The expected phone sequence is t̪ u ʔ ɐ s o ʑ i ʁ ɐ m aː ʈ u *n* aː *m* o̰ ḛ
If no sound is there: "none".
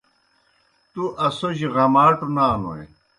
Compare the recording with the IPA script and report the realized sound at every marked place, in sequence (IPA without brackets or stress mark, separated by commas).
n, n